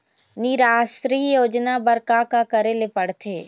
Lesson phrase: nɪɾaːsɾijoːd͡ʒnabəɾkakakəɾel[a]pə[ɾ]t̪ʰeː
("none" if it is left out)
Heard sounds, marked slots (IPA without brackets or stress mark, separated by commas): e, ɽ